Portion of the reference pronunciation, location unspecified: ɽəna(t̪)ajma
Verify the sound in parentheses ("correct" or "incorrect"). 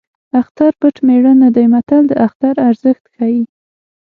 incorrect